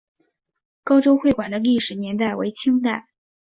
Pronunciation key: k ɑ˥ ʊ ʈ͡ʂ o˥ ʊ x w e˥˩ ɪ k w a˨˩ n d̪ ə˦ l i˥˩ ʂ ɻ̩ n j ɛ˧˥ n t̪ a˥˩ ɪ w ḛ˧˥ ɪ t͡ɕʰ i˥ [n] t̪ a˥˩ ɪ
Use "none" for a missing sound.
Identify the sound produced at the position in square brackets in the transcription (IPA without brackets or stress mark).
ŋ